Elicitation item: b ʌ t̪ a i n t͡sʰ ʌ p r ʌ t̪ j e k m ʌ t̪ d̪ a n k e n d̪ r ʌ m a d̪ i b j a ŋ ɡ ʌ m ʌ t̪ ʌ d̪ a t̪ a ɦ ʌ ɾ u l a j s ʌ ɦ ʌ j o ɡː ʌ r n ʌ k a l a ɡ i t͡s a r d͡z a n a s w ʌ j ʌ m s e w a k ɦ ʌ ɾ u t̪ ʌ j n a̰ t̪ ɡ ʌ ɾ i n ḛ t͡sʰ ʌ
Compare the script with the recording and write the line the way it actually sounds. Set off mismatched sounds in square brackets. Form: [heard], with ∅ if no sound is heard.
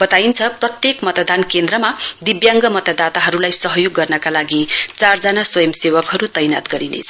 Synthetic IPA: b ʌ t̪ a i n t͡sʰ ʌ p r ʌ t̪ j e k m ʌ t̪ d̪ a n k e n d̪ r ʌ m a d̪ i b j a ŋ ɡ ʌ m ʌ t̪ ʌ d̪ a t̪ a ɦ ʌ ɾ u l a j s ʌ ɦ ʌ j o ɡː ʌ r n ʌ k a l a ɡ i t͡s a r d͡z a n a s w ʌ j ʌ m s e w [ʌ] k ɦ ʌ ɾ u t̪ ʌ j n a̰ t̪ ɡ ʌ ɾ i n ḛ t͡sʰ ʌ